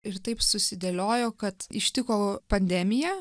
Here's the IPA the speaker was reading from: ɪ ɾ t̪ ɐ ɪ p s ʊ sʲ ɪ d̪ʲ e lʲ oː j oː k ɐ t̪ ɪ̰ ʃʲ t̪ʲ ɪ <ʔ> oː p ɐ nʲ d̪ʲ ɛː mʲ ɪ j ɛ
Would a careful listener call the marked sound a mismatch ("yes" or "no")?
yes